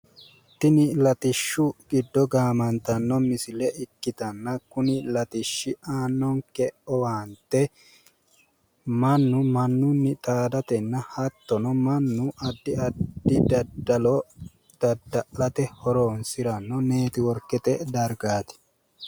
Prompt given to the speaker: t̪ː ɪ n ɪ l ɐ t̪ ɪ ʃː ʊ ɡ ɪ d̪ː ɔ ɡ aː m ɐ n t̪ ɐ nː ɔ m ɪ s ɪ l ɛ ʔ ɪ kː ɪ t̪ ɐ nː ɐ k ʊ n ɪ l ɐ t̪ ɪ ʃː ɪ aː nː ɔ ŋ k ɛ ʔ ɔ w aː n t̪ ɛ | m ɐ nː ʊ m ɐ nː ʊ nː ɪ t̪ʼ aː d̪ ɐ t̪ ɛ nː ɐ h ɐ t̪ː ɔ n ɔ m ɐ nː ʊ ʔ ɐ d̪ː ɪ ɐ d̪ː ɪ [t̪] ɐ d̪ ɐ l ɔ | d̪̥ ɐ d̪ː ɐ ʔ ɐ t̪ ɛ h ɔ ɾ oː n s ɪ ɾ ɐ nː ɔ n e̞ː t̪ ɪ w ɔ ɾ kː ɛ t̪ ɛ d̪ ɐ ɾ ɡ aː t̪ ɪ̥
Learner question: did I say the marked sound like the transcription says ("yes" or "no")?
no